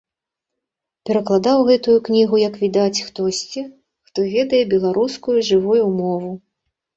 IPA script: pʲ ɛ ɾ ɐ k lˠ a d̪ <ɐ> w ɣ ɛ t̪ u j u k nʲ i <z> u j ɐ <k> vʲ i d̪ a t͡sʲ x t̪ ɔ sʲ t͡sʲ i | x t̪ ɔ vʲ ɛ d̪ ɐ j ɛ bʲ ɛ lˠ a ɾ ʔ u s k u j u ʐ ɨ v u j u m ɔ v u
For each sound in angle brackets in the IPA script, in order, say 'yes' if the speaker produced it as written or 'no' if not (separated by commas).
no, no, yes